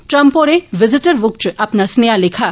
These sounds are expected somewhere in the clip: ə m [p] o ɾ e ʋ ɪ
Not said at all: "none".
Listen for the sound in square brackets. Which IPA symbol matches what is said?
p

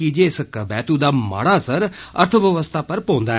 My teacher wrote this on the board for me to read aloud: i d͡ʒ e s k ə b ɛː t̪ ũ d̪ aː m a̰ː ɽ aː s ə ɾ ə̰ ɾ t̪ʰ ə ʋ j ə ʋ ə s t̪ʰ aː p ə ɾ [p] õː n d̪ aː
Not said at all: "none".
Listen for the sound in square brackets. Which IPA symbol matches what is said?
p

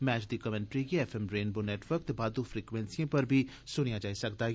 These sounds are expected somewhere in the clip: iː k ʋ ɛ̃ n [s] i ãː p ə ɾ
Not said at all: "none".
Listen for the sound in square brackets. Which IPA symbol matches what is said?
s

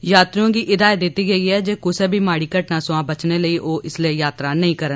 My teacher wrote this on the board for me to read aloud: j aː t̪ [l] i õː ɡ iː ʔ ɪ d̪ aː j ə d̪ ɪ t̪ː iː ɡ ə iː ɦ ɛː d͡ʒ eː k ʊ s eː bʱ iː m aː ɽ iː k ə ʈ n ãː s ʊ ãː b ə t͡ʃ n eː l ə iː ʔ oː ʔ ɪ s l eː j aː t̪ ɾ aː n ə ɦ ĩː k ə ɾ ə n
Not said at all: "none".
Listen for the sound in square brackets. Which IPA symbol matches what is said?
ɾ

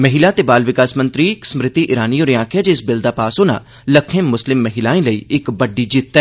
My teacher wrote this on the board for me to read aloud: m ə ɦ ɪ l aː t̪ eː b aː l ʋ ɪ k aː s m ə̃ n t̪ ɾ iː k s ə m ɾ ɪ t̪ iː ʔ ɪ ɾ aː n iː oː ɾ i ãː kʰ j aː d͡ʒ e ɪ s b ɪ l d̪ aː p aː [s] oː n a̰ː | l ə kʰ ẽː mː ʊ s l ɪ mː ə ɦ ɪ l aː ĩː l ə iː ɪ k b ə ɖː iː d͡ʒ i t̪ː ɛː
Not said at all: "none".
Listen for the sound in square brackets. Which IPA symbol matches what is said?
s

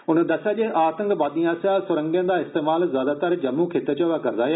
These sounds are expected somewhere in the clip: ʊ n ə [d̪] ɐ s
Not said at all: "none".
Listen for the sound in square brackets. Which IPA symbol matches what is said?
d̪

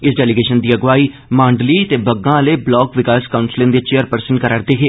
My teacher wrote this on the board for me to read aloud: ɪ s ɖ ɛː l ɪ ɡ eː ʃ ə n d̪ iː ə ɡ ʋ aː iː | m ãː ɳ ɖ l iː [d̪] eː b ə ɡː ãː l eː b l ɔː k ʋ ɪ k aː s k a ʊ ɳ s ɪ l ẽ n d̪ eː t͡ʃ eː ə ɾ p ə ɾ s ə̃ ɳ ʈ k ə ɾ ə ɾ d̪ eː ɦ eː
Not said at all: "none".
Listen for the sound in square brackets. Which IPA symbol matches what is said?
t̪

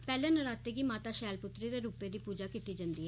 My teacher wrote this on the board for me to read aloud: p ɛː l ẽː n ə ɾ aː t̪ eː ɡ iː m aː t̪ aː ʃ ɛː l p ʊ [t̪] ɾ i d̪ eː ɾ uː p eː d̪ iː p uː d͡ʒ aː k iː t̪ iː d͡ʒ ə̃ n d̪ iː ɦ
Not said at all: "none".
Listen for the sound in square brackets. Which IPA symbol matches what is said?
t̪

